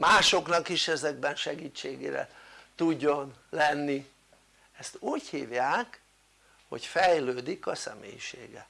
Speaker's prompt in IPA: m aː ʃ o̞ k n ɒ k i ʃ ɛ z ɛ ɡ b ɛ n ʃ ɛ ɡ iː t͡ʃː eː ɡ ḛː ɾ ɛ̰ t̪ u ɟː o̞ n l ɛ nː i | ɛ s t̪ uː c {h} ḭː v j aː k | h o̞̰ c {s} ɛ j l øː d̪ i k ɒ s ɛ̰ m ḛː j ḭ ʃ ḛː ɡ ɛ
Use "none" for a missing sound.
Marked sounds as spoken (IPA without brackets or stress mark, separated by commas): h, f